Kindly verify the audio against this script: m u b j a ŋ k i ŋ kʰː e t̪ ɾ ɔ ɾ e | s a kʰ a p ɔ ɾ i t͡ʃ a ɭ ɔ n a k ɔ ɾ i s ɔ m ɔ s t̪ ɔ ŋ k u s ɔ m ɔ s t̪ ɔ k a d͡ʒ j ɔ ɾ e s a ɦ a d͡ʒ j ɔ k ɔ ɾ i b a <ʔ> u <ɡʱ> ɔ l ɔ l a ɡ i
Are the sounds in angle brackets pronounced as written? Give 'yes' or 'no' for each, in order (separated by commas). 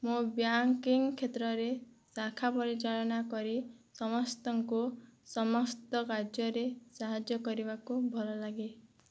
no, no